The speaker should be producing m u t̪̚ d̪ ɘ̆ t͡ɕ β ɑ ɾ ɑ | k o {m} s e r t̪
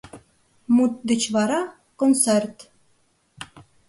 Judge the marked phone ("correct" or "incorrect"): incorrect